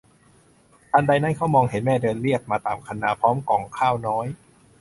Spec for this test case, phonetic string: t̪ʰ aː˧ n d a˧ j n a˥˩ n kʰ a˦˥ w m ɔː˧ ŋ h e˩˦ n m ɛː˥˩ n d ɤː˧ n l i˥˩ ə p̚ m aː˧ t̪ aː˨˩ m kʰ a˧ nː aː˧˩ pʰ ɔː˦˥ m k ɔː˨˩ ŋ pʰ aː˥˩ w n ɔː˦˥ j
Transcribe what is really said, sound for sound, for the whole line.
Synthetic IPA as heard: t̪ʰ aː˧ n d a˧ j n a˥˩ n kʰ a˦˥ w m ɔː˧ ŋ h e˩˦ n m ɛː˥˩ d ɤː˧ n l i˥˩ ə k̚ m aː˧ t̪ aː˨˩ m kʰ a˧ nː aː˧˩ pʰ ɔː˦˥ m k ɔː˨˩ ŋ kʰ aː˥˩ w n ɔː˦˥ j